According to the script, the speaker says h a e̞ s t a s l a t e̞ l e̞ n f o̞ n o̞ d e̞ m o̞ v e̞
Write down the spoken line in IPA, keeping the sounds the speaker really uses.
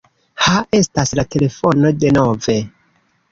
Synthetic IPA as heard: h a e̞ s t a s l a t e̞ l e̞ f o̞ n o̞ d e̞ n o̞ v e̞